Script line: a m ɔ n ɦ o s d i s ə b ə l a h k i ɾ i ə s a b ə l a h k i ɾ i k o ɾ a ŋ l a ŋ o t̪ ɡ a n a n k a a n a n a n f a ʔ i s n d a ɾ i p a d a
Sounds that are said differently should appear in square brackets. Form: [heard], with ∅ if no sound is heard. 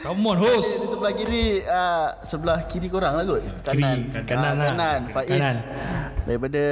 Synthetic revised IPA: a m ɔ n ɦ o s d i s ə b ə l a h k i ɾ i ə s [ə] b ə l a h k i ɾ i k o ɾ a ŋ l a [ɡ] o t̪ [k] a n a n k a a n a n a n f a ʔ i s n d a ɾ i p a d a